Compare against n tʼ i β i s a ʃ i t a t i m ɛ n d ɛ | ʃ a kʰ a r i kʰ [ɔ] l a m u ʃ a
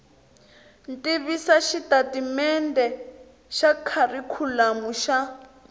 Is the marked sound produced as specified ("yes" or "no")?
no